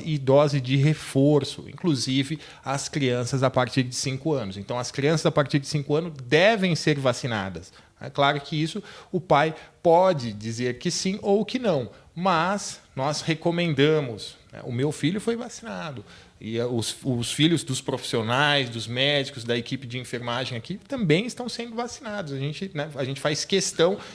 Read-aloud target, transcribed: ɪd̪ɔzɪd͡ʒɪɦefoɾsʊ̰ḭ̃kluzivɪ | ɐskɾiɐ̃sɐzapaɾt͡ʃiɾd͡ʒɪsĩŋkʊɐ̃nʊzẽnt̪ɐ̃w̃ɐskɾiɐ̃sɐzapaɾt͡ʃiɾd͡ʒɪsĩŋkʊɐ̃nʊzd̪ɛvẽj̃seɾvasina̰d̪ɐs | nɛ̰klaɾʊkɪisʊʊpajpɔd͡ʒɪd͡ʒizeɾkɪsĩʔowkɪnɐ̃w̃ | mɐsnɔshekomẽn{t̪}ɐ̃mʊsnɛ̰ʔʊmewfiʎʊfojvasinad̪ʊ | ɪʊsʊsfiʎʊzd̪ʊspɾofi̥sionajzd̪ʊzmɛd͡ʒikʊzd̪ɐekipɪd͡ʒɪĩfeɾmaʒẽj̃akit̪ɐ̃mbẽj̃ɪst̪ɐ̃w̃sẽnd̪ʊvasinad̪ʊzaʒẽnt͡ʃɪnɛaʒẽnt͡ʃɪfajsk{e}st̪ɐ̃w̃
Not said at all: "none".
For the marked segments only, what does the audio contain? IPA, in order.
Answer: d̪, e

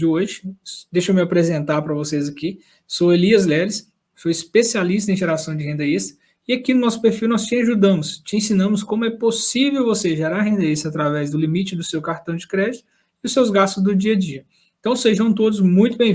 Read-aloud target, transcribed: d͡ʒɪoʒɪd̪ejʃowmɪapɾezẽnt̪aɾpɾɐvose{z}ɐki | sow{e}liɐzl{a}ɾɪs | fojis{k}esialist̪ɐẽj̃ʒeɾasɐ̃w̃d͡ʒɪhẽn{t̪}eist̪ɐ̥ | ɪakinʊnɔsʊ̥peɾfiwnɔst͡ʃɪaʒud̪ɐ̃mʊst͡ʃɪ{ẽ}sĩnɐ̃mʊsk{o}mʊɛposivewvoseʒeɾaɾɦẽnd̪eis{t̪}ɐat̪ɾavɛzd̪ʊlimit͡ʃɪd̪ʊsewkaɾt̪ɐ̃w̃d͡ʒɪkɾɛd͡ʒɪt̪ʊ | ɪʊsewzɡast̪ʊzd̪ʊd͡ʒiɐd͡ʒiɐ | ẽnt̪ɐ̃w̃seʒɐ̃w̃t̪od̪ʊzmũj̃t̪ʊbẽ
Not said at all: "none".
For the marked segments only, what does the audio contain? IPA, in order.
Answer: z, e, ɛ, p, d̪, ẽ, õ, t̪

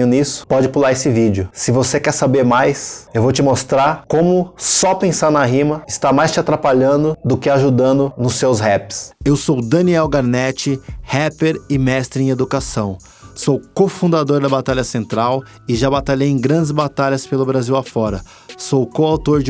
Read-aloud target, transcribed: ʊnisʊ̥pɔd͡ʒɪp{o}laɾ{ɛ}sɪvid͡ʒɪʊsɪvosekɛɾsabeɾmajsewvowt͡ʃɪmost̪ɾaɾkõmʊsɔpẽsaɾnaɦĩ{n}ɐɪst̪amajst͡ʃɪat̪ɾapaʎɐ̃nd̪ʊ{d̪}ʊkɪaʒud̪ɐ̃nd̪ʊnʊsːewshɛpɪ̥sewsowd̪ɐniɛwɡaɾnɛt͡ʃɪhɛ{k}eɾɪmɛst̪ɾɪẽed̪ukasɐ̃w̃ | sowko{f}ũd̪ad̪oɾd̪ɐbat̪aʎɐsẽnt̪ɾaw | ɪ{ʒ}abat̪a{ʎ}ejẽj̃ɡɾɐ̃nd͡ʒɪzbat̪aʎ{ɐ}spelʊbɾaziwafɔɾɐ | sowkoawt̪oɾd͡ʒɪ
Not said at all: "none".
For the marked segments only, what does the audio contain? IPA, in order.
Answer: u, e, m, d̪, p, f, ʒ, ʎ, ɐ

